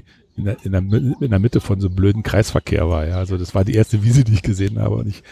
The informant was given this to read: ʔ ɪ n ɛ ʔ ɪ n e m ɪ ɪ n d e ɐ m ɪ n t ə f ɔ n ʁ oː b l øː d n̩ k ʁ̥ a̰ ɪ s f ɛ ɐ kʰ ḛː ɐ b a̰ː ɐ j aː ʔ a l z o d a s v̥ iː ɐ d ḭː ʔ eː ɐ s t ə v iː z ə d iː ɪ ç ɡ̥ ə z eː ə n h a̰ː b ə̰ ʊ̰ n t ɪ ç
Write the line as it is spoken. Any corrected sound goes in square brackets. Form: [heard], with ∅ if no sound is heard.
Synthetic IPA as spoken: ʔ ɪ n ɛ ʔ ɪ n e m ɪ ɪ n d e ɐ m ɪ [∅] t ə f ɔ n [z] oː b l øː d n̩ k ʁ̥ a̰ ɪ s f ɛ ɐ kʰ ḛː ɐ [v] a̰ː ɐ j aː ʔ a l z o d a s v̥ [aː] ɐ d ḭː ʔ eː ɐ s t ə v iː z ə d iː ɪ ç ɡ̥ ə z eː ə n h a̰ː b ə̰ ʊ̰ n t ɪ ç